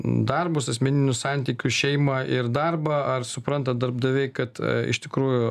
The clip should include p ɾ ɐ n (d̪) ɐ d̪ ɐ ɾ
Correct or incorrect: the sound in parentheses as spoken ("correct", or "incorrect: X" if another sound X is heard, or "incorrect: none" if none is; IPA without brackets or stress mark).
incorrect: t̪